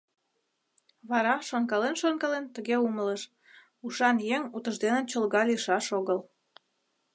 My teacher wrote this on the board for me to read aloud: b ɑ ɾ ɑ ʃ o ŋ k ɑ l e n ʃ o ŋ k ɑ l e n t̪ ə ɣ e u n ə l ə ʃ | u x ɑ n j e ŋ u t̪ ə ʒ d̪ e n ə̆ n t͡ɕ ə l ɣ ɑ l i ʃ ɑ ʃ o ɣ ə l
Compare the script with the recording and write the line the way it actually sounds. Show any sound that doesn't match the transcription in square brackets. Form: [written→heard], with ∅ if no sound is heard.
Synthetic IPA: [b→β] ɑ ɾ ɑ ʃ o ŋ k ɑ l e n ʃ o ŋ k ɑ l e n t̪ ə ɣ e u [n→m] ə l ə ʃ | u [x→ʃ] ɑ n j e ŋ u t̪ ə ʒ d̪ e n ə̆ n t͡ɕ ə l ɣ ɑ l i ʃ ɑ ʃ o ɣ ə l